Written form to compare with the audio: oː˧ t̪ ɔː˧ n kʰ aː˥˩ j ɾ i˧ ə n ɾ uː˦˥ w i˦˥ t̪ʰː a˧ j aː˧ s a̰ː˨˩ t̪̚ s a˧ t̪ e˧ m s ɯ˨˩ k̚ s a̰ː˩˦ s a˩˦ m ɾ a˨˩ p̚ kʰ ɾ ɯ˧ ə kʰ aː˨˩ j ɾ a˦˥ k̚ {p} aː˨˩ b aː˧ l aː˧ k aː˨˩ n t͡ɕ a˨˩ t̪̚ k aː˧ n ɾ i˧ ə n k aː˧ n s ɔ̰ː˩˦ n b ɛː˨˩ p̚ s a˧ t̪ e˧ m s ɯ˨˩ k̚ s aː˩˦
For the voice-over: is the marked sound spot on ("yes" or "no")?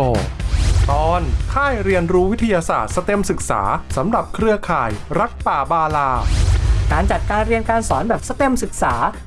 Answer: yes